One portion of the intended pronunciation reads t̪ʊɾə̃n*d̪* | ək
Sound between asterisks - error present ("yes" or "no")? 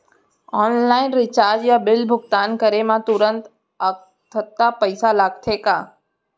yes